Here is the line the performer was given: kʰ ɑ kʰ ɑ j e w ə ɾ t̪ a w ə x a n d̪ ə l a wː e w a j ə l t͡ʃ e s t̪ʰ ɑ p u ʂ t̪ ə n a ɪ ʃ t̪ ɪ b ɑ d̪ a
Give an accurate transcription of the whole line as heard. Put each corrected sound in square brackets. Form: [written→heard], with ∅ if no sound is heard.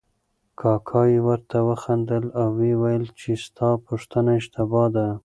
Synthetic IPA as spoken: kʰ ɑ kʰ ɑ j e w ə ɾ t̪ a w ə x a n d̪ ə l a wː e w a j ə l t͡ʃ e s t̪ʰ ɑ p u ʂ t̪ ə n a ɪ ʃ t̪ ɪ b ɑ d̪ a

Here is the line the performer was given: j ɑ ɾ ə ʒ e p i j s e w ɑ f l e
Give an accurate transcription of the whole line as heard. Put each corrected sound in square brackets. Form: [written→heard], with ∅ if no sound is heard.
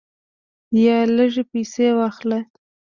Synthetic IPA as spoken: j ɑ [ɾ→l] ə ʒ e p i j s e w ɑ [f→x] l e

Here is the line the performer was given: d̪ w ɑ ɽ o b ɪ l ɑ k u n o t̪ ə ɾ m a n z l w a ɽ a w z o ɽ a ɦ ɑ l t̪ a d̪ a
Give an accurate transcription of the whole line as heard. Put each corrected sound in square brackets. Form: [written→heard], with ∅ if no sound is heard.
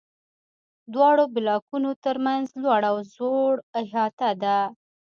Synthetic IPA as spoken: d̪ w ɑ ɽ o b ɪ l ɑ k u n o t̪ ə ɾ m a n z l w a ɽ a w z o ɽ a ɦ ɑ [l→∅] t̪ a d̪ a

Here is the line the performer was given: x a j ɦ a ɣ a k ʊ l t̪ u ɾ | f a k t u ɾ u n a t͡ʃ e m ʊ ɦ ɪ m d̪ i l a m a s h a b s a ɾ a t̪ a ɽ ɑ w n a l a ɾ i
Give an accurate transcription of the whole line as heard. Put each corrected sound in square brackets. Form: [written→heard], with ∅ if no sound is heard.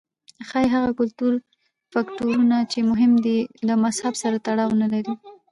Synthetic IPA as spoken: x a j ɦ a ɣ a k ʊ l t̪ u ɾ | f a k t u ɾ u n a t͡ʃ e m ʊ ɦ ɪ m d̪ i l a m a s h a b s a ɾ a t̪ a ɽ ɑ w n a l a ɾ i

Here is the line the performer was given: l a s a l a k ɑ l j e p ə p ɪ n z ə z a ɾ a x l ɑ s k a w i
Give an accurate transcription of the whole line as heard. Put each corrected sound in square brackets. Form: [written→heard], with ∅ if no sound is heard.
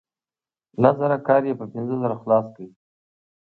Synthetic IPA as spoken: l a [s→z] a [l→ɾ] a k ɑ [l→ɾ] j e p ə p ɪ n z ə z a ɾ a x l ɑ s k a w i

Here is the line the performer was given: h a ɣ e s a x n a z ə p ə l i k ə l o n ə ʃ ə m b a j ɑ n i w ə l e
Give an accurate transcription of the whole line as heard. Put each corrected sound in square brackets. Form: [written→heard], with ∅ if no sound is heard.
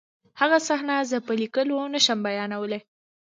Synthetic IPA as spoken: h a ɣ [e→a] s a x n a z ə p ə l i k ə l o n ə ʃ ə m b a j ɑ n [i→a] w ə l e

